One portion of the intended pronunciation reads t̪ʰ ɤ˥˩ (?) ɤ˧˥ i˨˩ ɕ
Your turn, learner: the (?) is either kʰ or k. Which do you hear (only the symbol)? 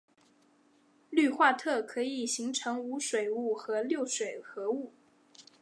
kʰ